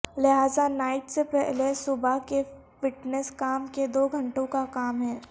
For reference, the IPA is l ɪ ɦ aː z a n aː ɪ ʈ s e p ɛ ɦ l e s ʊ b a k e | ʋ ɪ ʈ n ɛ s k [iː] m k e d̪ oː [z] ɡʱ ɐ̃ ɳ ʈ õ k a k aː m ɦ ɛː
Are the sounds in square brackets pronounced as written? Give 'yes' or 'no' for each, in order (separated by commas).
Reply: no, no